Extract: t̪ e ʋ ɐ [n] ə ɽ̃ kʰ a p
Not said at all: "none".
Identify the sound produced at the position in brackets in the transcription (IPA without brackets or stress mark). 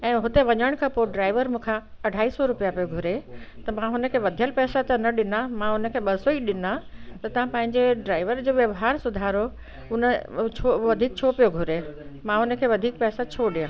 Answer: ɲ